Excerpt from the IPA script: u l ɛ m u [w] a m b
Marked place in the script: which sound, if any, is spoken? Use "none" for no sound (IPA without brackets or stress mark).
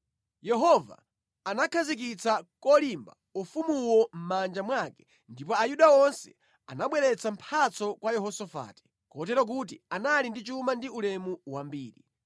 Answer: w